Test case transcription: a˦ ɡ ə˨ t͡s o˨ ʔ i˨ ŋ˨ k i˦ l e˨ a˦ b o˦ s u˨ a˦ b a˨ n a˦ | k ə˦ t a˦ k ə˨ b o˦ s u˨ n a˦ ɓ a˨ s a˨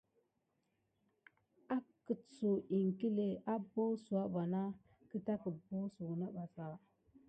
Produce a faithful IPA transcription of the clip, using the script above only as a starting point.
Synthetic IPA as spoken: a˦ k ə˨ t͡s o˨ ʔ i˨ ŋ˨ k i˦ l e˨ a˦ b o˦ s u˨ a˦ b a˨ n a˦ | k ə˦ t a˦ k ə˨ b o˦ s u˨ n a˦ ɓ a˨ s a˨